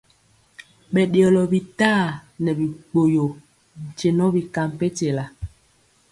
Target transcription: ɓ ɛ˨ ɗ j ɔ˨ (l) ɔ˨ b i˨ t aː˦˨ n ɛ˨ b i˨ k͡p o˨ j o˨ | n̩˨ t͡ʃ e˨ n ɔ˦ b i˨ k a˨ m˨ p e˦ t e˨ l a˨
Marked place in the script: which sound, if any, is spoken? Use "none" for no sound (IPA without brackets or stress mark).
l